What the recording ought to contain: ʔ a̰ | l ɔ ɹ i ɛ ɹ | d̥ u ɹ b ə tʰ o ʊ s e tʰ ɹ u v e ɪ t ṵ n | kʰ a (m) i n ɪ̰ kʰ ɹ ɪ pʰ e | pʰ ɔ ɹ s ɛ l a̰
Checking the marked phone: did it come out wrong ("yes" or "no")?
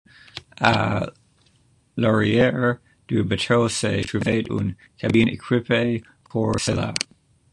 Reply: yes